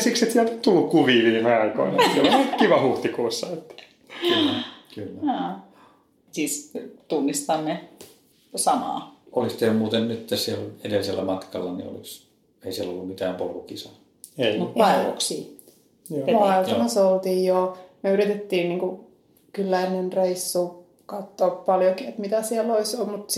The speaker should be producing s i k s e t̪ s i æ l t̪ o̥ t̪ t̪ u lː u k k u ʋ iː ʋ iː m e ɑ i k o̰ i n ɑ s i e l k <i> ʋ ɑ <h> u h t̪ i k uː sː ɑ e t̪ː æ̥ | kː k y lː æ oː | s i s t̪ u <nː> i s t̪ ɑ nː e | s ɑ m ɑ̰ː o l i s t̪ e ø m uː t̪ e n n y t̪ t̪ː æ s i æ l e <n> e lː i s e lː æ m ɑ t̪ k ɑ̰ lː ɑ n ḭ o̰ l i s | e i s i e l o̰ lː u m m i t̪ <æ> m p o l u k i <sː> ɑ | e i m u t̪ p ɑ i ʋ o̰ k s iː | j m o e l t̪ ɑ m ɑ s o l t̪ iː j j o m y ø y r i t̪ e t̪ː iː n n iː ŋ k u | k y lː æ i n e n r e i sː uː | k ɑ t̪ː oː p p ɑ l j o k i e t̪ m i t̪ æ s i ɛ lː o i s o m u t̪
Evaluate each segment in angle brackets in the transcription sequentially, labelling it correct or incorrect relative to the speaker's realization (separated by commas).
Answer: correct, correct, correct, incorrect, incorrect, incorrect